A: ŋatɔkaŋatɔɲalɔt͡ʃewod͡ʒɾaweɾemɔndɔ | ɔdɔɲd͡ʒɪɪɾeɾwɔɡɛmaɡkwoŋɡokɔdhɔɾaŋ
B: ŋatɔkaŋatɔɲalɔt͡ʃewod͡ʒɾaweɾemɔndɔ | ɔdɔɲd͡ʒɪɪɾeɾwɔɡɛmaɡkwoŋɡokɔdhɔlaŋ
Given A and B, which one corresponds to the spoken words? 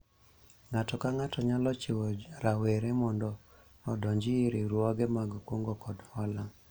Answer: B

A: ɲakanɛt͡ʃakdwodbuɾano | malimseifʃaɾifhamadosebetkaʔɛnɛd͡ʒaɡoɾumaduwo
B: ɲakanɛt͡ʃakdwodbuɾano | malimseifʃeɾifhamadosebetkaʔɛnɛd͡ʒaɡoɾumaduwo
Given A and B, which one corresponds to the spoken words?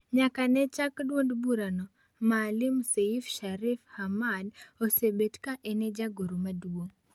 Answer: A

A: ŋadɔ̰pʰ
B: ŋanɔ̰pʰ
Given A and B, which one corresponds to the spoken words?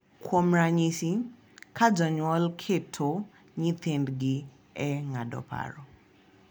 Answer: A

